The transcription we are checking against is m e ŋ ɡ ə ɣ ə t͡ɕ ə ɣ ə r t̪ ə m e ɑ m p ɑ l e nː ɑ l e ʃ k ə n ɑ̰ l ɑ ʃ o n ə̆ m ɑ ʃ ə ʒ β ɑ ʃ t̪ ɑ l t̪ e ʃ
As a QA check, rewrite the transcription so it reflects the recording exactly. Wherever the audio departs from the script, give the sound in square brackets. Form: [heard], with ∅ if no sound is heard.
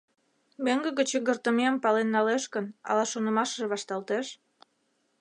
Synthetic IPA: m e ŋ ɡ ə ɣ ə t͡ɕ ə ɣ ə r t̪ ə m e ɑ m p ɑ l e nː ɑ l e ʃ k ə n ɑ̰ l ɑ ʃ o n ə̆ m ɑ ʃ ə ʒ β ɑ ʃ t̪ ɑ l t̪ e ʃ